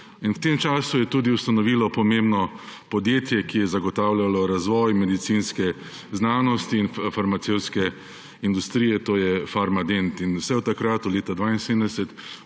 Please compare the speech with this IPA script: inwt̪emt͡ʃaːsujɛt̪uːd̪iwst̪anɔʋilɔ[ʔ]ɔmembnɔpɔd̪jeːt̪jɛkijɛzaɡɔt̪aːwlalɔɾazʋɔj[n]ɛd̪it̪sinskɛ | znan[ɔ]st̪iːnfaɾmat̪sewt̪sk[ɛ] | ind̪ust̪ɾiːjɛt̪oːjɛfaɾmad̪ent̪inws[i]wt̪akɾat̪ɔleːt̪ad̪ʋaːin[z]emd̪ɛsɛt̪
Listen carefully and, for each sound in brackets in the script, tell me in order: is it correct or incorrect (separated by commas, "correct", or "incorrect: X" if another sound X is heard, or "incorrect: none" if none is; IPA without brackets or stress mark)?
incorrect: p, incorrect: m, correct, correct, incorrect: ɛ, incorrect: s